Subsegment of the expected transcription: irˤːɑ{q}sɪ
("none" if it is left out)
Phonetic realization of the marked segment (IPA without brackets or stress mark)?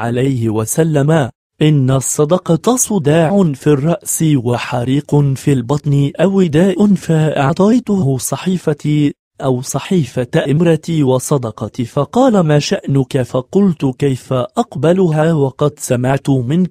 ʔ